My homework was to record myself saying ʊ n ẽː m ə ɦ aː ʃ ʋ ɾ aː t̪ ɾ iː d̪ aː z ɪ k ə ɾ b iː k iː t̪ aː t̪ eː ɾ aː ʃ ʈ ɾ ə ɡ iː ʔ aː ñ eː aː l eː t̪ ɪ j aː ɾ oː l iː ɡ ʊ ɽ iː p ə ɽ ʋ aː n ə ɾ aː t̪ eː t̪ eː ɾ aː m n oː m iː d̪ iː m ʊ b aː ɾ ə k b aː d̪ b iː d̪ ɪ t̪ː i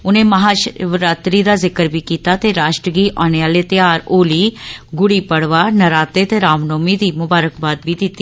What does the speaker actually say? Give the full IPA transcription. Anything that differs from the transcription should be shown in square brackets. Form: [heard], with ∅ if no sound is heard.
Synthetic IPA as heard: ʊ n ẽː m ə ɦ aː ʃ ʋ ɾ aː t̪ ɾ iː d̪ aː z ɪ k ə ɾ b iː k iː t̪ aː t̪ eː ɾ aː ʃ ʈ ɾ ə ɡ iː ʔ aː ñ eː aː l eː t̪ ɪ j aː ɾ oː l iː ɡ ʊ ɽ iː p ə ɽ ʋ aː n ə ɾ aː t̪ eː t̪ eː ɾ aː m n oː m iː d̪ iː m ʊ b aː ɾ ə k b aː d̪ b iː d̪ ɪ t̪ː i

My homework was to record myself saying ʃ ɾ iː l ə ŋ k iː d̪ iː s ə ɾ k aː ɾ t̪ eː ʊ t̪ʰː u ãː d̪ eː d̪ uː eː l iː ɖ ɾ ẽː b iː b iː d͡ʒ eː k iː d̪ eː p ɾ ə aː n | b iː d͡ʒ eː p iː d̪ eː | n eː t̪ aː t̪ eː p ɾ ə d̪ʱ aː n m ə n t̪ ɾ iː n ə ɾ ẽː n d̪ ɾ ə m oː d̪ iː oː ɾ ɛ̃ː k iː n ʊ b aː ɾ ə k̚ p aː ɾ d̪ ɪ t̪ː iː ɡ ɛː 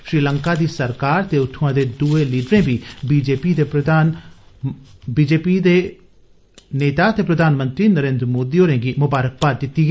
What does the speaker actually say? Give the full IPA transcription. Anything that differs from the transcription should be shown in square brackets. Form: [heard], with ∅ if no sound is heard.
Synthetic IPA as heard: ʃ ɾ iː l ə ŋ k [aː] d̪ iː s ə ɾ k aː ɾ t̪ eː ʊ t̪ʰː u ãː d̪ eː d̪ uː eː l iː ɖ ɾ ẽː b iː b iː d͡ʒ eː [p] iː d̪ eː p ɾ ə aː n | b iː d͡ʒ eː p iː d̪ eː | n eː t̪ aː t̪ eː p ɾ ə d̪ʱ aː n m ə n t̪ ɾ iː n ə ɾ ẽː n d̪ ɾ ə m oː d̪ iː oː ɾ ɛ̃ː [ɡ] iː [m] ʊ b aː ɾ ə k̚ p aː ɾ d̪ ɪ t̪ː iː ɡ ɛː

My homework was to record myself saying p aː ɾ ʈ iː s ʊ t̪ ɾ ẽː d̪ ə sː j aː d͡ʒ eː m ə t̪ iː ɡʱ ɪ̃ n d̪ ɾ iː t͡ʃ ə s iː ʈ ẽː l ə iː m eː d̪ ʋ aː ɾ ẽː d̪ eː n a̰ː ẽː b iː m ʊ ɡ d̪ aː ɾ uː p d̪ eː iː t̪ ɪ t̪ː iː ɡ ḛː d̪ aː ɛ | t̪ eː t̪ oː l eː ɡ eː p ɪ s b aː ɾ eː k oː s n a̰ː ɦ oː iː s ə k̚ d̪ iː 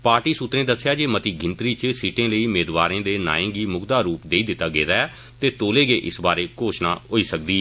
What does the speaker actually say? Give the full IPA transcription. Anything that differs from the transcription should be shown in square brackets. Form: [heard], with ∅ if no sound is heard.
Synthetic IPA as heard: p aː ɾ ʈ iː s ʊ t̪ ɾ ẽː d̪ ə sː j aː d͡ʒ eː m ə t̪ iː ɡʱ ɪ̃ n [t̪] ɾ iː t͡ʃ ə s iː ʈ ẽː l ə iː m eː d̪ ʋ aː ɾ ẽː d̪ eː n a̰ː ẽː [ɡ] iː m ʊ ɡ d̪ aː ɾ uː p d̪ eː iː [d̪] ɪ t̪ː [aː] ɡ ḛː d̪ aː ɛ | t̪ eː t̪ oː l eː ɡ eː [ʔ] ɪ s b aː ɾ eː k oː [ʃ] n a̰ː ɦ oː iː s ə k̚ d̪ iː

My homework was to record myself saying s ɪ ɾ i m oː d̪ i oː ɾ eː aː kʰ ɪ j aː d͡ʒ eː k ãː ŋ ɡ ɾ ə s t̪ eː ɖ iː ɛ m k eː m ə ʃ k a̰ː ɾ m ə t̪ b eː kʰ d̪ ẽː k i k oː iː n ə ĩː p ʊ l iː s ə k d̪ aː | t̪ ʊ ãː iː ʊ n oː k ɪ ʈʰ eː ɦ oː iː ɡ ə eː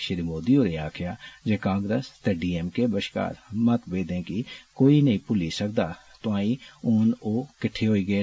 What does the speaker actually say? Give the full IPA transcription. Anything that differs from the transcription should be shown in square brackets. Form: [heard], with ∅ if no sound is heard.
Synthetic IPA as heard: [ʃ] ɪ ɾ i m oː d̪ i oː ɾ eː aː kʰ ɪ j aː d͡ʒ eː k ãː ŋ ɡ ɾ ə s t̪ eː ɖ iː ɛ m k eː [b] ə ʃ k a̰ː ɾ m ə t̪ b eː [∅] d̪ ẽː k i k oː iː n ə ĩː p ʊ l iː s ə k d̪ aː | t̪ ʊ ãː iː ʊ n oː k ɪ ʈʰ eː ɦ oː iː ɡ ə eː

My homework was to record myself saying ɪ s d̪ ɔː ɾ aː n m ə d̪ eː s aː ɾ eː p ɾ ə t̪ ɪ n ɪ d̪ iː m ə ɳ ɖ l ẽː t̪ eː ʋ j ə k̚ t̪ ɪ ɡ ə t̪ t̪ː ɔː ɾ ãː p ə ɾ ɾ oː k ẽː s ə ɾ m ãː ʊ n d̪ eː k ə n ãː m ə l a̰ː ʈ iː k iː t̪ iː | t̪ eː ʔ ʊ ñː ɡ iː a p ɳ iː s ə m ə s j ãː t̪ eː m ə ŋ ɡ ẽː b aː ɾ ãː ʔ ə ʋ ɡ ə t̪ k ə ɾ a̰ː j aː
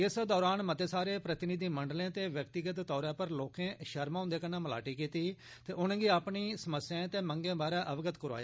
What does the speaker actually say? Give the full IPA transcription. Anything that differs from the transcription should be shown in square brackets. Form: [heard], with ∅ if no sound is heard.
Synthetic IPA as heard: ɪ s d̪ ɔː ɾ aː n m ə [t̪] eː s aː ɾ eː p ɾ ə t̪ ɪ n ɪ d̪ iː m ə ɳ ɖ l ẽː t̪ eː ʋ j ə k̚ t̪ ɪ ɡ ə t̪ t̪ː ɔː ɾ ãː p ə ɾ [l] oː k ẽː [ʃ] ə ɾ m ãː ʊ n d̪ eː k ə n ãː m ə l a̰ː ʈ iː k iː t̪ iː | t̪ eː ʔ ʊ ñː ɡ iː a p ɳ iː s ə m ə s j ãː t̪ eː m ə ŋ ɡ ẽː b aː ɾ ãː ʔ ə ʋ ɡ ə t̪ k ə ɾ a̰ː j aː

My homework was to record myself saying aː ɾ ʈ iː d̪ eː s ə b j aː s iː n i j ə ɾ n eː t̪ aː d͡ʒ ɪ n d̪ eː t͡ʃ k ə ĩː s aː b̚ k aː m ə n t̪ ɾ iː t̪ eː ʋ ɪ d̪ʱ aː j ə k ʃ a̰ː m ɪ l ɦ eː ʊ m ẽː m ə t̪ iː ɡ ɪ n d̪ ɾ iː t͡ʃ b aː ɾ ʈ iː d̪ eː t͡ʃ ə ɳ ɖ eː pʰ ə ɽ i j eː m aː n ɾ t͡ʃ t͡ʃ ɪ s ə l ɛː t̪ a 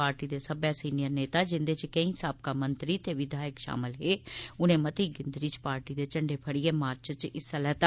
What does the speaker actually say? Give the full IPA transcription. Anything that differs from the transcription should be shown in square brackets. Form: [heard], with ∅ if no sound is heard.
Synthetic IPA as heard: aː ɾ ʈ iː d̪ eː s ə b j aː s iː n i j ə ɾ n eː t̪ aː d͡ʒ ɪ n d̪ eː t͡ʃ k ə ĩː s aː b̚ k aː m ə n t̪ ɾ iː t̪ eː ʋ ɪ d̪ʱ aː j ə k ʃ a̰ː m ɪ l ɦ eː ʊ [n] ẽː m ə t̪ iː ɡ ɪ n d̪ ɾ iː t͡ʃ [p] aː ɾ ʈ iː d̪ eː t͡ʃ ə ɳ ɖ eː pʰ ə ɽ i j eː m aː [∅] ɾ t͡ʃ t͡ʃ ɪ s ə l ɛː t̪ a

